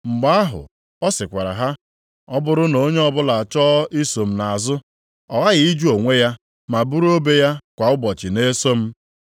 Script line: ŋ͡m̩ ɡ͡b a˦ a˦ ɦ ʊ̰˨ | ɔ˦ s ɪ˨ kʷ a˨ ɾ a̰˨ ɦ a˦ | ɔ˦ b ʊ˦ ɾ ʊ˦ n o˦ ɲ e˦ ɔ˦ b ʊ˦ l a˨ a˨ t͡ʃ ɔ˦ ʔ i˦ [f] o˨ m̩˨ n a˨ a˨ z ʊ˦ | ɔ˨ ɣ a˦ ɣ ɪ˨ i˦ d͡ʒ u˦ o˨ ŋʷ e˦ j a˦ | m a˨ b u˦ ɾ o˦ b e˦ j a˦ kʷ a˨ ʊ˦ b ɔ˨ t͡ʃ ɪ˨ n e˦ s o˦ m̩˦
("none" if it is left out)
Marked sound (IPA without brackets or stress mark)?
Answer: s